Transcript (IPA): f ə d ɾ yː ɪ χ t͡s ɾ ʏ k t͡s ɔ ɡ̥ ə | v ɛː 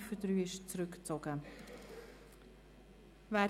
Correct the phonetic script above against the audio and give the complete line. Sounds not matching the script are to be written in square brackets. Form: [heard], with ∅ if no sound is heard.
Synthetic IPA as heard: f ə d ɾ yː ɪ [ʃ] t͡s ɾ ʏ k t͡s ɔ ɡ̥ ə | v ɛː